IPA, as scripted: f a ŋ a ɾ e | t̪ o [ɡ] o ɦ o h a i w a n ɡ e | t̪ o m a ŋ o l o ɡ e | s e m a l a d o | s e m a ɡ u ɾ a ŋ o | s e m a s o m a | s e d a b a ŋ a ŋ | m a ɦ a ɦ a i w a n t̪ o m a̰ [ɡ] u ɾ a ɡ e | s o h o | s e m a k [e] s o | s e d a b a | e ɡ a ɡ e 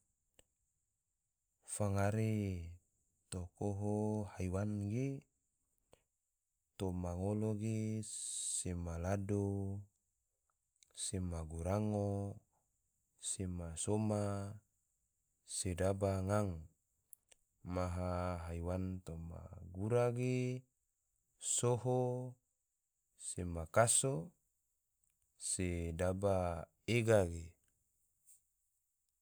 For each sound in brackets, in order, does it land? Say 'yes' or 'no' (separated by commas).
no, yes, no